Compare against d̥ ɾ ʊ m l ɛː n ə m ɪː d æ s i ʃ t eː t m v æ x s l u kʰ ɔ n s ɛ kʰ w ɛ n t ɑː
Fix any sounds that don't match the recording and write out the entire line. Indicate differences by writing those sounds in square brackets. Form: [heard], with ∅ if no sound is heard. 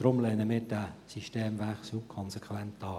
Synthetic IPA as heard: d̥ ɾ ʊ m l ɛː n ə m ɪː d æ s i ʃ t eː [∅] m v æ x s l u kʰ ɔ n s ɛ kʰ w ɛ n t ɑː